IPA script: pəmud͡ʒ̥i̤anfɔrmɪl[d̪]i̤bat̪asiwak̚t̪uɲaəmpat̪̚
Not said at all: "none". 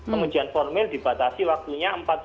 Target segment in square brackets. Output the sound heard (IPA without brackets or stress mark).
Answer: d̪